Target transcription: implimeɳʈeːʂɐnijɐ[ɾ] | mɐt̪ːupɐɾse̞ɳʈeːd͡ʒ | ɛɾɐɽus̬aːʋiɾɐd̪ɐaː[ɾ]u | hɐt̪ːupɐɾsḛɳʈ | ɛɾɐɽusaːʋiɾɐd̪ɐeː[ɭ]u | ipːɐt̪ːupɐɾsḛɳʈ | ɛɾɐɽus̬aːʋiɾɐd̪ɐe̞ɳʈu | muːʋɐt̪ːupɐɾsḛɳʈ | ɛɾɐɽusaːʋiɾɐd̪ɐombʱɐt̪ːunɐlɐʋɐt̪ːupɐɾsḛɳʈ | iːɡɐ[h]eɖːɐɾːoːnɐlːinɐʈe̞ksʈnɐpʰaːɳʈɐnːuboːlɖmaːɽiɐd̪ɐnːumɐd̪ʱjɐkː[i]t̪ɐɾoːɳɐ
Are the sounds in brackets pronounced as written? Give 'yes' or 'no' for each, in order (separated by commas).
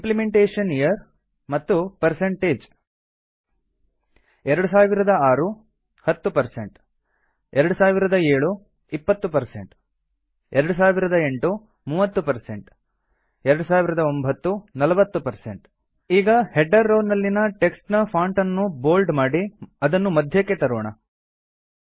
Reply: yes, yes, yes, yes, no